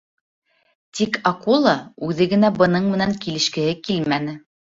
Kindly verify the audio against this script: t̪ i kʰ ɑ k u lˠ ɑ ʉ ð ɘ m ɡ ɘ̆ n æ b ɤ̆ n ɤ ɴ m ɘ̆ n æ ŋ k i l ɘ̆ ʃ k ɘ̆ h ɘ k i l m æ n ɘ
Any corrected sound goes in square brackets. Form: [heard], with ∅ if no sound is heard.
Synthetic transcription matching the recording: t̪ i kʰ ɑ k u lˠ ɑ ʉ ð ɘ [∅] ɡ ɘ̆ n æ b ɤ̆ n ɤ ɴ m ɘ̆ n æ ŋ k i l ɘ̆ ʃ k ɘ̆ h ɘ k i l m æ n ɘ